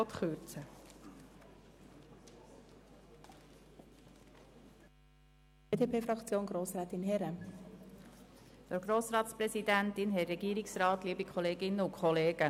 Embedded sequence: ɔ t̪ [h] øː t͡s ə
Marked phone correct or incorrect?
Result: incorrect